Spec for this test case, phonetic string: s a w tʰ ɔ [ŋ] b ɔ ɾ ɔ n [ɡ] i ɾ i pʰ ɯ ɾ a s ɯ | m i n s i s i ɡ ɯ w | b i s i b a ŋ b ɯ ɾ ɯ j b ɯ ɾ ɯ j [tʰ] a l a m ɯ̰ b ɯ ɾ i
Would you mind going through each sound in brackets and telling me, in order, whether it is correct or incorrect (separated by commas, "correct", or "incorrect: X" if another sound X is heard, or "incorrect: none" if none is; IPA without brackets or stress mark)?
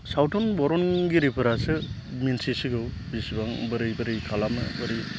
incorrect: n, correct, incorrect: kʰ